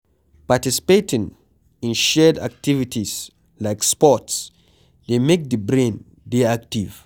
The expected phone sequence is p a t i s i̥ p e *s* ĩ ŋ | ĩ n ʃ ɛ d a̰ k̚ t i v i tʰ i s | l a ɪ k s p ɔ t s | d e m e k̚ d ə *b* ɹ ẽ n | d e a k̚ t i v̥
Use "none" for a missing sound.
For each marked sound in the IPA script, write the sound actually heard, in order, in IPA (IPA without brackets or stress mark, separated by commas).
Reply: t, b